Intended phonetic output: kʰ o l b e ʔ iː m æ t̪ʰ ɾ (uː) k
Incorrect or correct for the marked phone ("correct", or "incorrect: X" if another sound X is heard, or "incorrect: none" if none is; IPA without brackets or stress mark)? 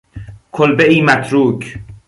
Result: correct